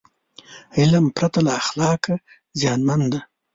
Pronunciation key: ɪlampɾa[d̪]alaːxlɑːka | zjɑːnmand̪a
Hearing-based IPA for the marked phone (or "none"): t̪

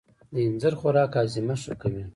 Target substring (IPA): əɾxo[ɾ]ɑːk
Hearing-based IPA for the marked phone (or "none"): ɾ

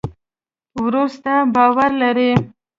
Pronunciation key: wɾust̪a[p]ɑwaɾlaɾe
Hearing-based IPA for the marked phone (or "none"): b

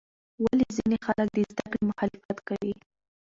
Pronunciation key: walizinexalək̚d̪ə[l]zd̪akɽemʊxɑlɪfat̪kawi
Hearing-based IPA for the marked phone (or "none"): none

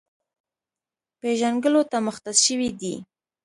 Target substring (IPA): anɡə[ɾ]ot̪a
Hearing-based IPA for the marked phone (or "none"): l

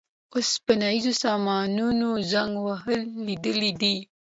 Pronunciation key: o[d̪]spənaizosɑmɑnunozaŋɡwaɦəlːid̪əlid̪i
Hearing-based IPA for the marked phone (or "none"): none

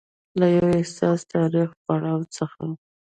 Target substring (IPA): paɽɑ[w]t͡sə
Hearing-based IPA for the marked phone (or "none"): w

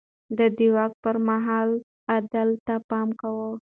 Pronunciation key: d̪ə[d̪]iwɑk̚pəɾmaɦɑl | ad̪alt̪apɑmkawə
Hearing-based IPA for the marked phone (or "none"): d̪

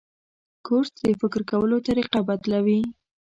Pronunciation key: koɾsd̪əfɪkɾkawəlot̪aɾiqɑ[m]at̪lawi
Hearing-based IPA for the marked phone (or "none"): b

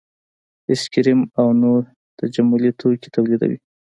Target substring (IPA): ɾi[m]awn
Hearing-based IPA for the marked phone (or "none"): m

